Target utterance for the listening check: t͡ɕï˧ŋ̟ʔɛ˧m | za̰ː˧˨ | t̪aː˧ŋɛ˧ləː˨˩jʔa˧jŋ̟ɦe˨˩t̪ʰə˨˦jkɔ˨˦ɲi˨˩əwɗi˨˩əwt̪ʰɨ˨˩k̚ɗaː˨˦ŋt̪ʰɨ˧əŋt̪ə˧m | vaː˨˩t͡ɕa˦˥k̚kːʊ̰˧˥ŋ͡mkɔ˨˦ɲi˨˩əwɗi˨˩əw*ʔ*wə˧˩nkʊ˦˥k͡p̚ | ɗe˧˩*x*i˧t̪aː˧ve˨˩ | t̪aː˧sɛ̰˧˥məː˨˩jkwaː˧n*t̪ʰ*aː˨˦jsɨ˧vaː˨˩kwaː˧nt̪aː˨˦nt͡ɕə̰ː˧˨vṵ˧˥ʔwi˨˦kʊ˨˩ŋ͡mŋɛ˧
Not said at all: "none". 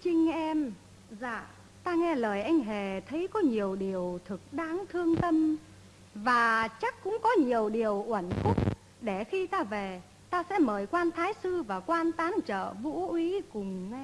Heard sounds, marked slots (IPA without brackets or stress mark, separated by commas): ʔ, x, t̪ʰ